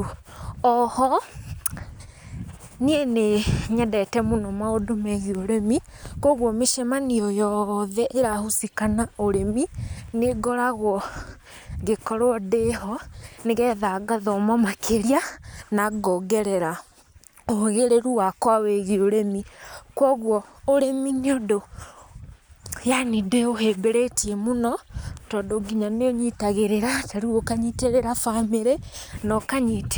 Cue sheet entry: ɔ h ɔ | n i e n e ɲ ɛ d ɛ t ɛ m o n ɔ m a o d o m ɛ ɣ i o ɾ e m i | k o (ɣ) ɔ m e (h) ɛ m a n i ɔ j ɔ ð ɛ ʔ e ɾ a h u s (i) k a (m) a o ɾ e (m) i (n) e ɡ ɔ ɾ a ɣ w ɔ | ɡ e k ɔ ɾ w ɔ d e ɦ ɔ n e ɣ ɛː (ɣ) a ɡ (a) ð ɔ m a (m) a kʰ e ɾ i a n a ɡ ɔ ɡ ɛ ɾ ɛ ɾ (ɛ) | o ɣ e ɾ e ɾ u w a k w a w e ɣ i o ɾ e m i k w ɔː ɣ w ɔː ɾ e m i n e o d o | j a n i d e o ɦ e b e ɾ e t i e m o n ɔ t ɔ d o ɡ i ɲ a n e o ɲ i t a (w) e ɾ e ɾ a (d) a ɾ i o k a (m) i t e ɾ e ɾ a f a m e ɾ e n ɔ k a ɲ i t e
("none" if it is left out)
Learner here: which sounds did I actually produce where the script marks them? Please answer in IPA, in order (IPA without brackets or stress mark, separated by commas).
ɣ, ʃ, i, n, m, n, ð, a, m, a, ɣ, t, ɲ